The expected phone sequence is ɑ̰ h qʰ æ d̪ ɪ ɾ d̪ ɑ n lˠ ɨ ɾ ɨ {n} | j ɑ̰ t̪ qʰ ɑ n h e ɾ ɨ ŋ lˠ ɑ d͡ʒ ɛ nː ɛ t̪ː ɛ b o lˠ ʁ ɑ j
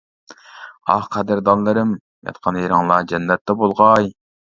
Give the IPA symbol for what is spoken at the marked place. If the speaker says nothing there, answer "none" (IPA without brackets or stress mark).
m